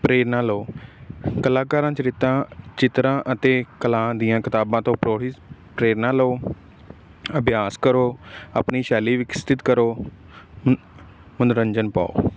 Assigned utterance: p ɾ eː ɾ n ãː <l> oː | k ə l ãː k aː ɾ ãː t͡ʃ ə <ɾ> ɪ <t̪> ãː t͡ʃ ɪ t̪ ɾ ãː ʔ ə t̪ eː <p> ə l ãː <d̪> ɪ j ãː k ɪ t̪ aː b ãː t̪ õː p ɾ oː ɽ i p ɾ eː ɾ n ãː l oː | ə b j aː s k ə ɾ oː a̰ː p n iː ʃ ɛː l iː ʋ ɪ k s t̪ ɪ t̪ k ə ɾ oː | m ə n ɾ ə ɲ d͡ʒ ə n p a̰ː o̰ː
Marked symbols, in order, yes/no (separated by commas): yes, yes, yes, no, yes